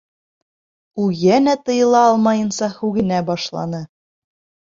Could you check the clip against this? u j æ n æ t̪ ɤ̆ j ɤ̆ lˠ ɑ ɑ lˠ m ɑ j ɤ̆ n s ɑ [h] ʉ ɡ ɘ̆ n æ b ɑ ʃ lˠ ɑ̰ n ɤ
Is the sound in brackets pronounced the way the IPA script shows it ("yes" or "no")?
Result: yes